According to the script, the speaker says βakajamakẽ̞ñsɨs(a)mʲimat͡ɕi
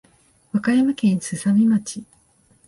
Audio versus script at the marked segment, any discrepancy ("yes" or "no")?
no